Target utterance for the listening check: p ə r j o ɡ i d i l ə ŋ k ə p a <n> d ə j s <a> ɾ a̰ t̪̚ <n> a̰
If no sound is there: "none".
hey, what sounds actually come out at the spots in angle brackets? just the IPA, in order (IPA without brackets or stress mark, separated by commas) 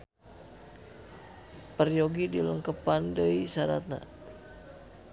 n, a, n